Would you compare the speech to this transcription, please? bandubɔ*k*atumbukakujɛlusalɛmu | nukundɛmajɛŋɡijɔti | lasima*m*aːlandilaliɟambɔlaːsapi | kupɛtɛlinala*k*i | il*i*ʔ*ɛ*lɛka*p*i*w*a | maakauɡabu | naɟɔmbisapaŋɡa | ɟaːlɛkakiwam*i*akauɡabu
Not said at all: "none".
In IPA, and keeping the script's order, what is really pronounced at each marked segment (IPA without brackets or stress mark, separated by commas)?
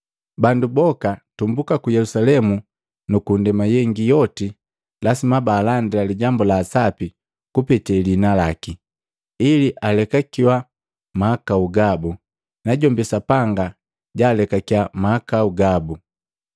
k, b, k, i, a, k, w, a